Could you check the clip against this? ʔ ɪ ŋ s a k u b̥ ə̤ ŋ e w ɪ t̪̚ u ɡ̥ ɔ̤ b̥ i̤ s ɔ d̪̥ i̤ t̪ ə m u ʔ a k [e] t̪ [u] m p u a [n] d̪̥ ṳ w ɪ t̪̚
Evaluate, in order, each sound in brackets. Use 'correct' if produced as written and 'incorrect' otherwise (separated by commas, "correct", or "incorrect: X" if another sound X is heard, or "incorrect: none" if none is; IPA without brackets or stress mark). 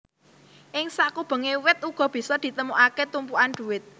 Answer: correct, correct, correct